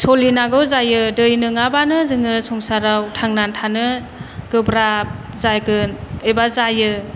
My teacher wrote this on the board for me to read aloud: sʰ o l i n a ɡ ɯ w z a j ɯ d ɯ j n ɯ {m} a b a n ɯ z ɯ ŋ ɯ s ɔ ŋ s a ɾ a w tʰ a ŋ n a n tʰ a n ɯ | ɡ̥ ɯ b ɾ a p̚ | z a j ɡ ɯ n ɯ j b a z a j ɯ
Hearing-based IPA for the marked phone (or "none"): ŋ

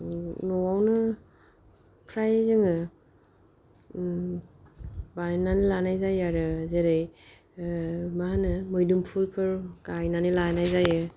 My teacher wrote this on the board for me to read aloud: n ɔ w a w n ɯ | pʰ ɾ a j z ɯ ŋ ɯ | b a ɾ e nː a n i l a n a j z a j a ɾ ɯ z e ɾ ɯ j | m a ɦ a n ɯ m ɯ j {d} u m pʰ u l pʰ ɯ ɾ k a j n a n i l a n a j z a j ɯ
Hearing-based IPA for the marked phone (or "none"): d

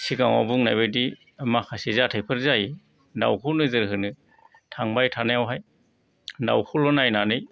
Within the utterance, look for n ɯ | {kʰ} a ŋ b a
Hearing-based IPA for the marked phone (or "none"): tʰ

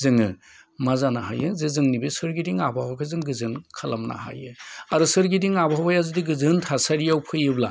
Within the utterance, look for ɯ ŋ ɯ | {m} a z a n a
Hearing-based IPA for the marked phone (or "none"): m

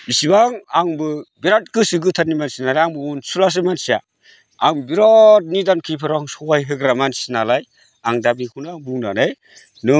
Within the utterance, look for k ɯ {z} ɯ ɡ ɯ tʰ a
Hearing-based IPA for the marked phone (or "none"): s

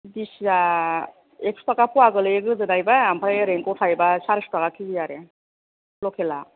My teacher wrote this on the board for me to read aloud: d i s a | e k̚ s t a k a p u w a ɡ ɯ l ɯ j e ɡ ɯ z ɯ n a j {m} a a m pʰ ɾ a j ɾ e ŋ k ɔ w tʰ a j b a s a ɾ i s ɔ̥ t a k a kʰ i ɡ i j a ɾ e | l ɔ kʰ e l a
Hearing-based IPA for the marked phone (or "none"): b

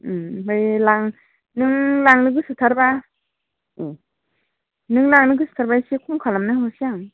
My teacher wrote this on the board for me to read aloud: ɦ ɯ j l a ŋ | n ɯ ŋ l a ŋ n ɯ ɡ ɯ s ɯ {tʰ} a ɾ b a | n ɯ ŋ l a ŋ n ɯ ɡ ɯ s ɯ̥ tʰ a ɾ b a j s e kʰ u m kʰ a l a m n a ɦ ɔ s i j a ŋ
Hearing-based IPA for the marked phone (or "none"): tʰ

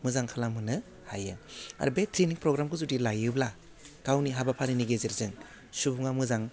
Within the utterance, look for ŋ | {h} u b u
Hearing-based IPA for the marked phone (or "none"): s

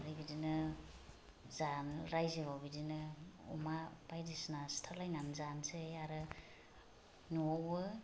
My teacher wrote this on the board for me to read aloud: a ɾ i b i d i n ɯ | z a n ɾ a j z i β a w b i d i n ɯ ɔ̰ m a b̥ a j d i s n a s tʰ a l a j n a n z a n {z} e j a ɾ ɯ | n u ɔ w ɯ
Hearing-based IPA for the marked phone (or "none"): s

